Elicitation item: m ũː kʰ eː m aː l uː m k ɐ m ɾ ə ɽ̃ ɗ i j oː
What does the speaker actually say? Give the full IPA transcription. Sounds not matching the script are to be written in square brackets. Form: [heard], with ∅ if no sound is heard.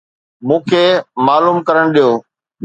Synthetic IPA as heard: m ũː kʰ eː m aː l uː m k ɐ [∅] ɾ ə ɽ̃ ɗ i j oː